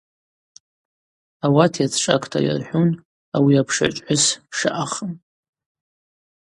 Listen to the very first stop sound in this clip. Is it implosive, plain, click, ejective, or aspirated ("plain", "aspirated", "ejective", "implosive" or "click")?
aspirated